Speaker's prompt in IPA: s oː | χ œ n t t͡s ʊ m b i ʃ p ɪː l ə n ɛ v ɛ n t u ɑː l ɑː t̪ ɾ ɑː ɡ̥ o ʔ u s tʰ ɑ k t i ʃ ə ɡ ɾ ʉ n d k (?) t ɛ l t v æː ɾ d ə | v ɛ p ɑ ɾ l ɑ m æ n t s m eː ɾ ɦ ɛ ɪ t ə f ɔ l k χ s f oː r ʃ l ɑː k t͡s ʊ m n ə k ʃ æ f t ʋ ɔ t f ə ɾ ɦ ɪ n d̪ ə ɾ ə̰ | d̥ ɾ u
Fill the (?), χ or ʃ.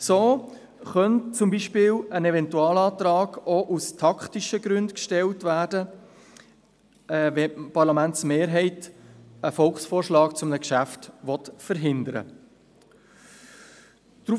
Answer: ʃ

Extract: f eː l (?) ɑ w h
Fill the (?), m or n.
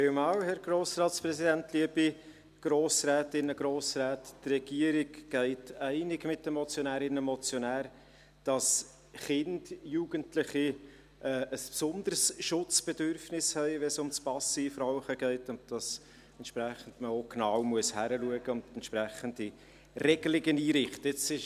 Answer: m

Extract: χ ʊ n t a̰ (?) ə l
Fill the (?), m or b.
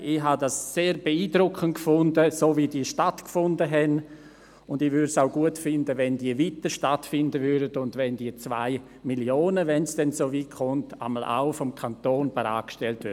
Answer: m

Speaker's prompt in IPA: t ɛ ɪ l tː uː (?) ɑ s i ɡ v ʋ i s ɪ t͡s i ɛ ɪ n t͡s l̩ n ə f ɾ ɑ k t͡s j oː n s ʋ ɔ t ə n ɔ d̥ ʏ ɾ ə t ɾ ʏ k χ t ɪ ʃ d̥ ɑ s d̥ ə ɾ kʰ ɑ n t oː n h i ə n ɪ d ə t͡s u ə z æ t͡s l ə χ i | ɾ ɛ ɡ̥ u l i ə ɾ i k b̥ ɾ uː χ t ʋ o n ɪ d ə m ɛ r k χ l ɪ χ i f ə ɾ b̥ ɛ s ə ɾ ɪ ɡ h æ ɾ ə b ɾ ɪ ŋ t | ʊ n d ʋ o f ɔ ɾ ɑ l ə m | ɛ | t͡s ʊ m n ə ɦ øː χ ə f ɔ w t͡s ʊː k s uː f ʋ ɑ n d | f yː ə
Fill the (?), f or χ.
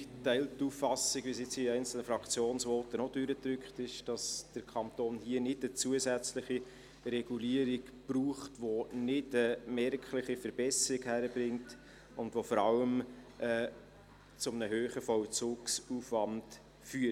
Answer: f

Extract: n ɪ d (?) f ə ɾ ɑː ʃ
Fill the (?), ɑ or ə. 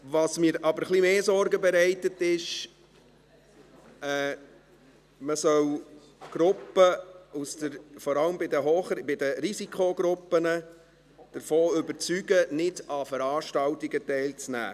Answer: ɑ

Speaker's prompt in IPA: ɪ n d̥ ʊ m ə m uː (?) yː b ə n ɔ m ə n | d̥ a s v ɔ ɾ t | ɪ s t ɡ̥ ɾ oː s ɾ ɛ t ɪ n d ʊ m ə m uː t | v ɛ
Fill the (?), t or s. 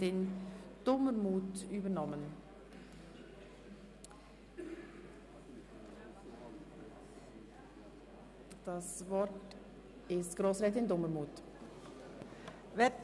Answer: t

